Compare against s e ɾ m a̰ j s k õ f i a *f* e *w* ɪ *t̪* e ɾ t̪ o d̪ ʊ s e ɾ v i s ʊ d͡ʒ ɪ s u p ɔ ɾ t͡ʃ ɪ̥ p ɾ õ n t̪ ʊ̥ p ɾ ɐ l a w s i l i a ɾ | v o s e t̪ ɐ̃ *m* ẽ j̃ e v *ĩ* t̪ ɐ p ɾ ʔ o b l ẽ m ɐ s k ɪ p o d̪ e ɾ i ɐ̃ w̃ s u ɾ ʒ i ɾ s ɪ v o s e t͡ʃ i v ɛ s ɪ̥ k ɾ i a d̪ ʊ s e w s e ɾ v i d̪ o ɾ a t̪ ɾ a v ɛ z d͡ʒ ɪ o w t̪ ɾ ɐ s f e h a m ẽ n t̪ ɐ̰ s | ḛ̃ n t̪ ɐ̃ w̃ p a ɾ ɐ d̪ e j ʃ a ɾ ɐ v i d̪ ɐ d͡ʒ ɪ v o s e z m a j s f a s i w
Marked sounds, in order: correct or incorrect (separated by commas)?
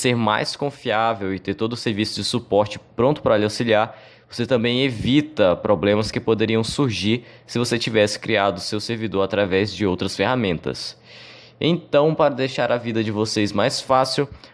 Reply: incorrect, correct, correct, incorrect, incorrect